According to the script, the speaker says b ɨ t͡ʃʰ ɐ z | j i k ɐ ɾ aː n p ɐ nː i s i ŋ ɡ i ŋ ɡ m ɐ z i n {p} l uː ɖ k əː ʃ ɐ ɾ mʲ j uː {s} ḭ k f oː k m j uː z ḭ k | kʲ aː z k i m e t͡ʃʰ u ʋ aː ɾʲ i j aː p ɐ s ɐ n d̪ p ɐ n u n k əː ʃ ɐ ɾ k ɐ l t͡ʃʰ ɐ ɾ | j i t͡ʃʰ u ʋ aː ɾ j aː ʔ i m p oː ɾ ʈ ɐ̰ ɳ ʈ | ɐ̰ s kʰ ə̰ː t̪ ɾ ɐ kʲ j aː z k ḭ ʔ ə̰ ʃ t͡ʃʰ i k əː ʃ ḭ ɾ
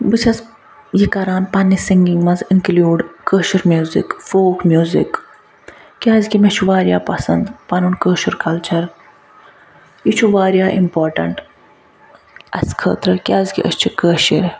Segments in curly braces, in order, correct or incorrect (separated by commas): incorrect, incorrect